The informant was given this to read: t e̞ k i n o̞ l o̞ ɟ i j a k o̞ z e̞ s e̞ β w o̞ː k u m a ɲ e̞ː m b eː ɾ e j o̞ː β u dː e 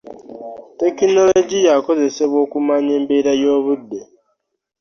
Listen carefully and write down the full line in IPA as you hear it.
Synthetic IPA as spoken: t e̞ k i n o̞ l o̞ ɟ i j a k o̞ z e̞ s e̞ β w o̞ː k u m a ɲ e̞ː m b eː ɾ a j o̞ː β u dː e